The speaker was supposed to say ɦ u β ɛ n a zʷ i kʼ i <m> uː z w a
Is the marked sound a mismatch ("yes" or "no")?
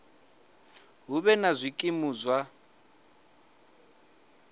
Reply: no